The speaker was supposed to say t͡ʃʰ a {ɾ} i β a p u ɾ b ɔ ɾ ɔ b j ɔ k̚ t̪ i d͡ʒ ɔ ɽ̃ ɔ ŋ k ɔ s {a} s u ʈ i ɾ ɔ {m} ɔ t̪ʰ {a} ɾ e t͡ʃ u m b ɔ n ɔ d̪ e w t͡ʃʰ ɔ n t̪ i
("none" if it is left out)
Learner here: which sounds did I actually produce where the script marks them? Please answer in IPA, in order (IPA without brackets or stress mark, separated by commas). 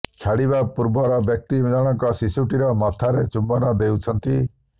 ɽ, i, m, a